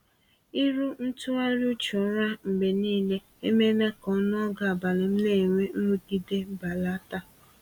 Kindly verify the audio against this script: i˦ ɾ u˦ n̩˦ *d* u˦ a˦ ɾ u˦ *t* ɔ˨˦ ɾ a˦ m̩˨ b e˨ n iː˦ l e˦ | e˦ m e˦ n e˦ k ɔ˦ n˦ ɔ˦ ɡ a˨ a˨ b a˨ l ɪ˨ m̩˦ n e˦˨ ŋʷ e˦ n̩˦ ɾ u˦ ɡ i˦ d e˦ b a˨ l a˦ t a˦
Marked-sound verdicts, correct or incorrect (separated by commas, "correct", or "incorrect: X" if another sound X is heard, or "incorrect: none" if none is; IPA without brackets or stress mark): incorrect: t, incorrect: t͡ʃ